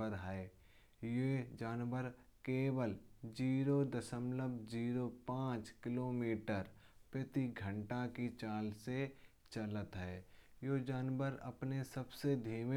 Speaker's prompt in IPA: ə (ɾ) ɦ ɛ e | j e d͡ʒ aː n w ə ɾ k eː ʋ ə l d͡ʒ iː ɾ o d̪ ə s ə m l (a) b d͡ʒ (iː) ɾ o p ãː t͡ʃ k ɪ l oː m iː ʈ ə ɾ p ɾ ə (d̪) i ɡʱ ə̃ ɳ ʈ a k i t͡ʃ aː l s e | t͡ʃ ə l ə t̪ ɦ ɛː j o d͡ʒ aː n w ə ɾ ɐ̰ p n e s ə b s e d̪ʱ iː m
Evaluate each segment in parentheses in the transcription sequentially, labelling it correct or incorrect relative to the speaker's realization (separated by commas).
correct, incorrect, correct, incorrect